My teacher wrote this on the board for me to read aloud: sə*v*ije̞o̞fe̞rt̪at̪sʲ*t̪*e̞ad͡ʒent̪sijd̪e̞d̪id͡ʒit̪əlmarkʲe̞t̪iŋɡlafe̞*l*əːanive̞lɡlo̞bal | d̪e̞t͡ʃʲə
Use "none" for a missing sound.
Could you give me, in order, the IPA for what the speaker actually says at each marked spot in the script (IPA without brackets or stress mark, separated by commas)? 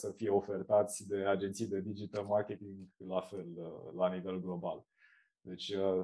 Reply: f, d̪, l